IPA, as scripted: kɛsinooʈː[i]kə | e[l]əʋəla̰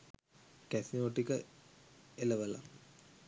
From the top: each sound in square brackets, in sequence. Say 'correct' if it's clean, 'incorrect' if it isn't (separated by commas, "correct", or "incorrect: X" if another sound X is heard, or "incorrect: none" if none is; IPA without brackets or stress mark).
correct, correct